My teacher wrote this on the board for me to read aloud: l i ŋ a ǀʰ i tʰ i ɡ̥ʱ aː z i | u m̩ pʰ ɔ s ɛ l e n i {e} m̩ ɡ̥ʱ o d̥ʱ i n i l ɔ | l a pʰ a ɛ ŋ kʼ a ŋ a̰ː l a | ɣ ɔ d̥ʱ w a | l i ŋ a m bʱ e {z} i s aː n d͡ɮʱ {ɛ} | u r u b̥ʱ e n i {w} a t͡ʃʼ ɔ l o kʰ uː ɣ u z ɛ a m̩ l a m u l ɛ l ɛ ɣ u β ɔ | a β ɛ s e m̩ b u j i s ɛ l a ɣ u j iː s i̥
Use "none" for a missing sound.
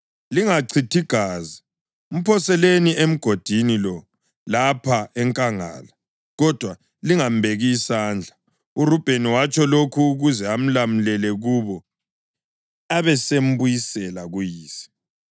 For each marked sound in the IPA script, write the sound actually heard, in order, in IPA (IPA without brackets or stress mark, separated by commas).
e, ɣ, a, w